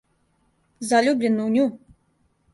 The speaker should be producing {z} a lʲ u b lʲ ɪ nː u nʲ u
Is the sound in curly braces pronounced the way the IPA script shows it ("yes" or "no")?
yes